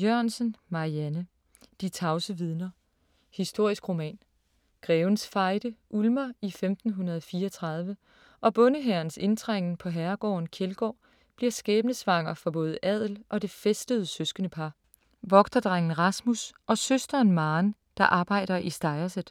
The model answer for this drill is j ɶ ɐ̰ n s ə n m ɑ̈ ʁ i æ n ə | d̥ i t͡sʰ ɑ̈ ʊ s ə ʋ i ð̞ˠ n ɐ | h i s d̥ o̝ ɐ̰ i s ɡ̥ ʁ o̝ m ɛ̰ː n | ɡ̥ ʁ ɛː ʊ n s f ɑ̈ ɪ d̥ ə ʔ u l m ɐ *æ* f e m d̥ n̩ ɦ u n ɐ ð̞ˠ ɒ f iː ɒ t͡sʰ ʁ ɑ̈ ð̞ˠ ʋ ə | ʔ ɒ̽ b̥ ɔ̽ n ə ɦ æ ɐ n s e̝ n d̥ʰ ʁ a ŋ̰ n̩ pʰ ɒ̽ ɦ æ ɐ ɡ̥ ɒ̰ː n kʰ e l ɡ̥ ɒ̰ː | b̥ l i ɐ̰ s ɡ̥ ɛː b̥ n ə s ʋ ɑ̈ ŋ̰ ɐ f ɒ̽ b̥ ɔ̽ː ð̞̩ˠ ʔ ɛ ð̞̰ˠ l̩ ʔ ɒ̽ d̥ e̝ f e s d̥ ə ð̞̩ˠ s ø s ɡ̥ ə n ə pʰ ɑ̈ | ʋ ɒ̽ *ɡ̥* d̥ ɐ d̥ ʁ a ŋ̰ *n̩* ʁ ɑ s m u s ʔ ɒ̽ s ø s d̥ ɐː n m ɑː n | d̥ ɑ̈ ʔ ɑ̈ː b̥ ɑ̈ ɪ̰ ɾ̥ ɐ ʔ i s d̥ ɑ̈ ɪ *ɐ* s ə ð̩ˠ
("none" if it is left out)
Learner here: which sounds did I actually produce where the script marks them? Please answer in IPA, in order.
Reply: i, ɡ̥, n̩, ɐ

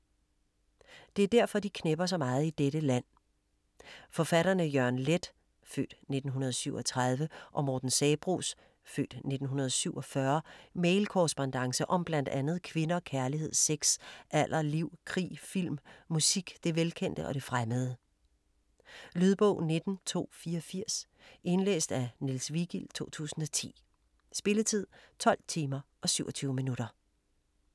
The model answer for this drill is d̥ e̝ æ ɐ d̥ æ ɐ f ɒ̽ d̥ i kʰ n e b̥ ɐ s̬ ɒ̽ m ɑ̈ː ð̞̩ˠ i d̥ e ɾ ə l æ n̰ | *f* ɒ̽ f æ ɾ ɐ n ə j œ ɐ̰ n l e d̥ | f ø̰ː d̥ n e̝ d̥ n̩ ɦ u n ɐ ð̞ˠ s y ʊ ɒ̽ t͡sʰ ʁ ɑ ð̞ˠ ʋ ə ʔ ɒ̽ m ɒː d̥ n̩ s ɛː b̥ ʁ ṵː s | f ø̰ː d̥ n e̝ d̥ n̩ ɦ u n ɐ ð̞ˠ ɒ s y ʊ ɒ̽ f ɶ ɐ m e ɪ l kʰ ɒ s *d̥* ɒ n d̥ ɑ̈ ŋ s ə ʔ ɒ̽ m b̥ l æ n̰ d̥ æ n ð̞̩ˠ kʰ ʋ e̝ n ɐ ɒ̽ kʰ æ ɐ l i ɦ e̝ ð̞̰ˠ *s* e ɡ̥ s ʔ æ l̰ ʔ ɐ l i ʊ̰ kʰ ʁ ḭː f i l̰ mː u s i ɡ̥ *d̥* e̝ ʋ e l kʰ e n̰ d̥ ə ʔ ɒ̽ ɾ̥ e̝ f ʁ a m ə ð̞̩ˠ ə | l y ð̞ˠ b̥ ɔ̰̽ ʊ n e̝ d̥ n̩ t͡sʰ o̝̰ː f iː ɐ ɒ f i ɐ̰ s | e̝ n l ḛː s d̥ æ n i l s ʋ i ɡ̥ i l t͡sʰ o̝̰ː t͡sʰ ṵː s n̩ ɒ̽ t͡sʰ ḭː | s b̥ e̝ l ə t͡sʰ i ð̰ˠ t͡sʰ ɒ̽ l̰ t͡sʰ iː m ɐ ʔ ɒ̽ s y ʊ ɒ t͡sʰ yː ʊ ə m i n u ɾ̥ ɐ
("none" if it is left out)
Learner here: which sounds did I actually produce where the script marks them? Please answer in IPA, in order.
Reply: f, b̥, s, d̥

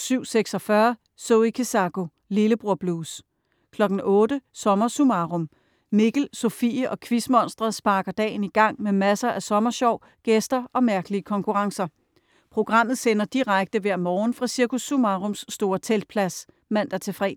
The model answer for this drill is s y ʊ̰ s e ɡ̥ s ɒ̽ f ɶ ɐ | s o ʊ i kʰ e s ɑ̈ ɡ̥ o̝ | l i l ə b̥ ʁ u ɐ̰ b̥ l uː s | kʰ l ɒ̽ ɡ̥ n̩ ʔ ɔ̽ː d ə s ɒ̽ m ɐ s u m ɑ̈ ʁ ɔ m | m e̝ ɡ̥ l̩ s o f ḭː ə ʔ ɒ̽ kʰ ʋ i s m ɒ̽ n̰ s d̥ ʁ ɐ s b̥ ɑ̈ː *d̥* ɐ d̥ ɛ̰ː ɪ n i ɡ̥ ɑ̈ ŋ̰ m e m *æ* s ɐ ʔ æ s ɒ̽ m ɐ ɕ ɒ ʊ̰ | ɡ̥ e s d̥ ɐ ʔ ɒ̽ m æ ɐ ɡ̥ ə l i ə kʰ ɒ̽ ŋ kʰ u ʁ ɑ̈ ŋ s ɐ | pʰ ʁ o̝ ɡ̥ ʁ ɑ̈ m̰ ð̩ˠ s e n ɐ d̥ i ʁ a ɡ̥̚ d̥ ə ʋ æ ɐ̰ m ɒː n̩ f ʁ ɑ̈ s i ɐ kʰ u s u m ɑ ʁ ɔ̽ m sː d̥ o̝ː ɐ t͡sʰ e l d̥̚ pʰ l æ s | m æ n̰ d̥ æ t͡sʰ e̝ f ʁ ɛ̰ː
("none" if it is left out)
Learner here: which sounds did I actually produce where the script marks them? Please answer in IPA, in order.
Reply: ɡ̥, æ

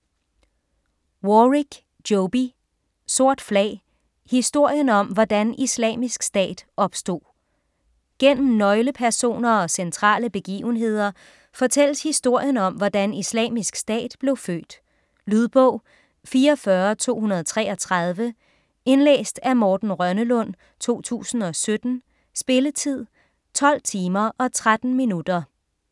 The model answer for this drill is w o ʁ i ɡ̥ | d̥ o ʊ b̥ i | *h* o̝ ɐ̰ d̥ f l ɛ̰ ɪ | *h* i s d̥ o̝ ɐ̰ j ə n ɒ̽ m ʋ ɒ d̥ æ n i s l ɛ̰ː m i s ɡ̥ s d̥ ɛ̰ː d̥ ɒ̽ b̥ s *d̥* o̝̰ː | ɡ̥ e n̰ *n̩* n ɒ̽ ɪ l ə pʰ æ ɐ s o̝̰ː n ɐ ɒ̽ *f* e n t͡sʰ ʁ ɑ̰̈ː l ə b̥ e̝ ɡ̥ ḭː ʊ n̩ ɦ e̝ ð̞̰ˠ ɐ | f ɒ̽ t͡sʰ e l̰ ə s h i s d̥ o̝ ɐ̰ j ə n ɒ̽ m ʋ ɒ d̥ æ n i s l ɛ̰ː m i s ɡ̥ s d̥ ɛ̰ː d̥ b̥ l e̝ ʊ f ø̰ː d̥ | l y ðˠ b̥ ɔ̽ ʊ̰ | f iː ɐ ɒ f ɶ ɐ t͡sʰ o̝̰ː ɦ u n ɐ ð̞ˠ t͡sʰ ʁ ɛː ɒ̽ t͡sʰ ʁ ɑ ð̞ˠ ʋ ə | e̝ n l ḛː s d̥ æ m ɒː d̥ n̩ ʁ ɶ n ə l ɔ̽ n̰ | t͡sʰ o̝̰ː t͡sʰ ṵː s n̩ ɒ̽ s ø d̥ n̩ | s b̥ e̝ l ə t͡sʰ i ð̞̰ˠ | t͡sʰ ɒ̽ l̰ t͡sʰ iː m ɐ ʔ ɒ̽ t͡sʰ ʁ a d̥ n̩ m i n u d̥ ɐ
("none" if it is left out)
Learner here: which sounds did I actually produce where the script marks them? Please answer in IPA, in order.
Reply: s, h, d̥, m̩, s

